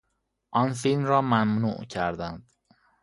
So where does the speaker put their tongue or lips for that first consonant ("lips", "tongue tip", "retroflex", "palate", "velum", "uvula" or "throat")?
throat